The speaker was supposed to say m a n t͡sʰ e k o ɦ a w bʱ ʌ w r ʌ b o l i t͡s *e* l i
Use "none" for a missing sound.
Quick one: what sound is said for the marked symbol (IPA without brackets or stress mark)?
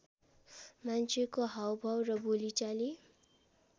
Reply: a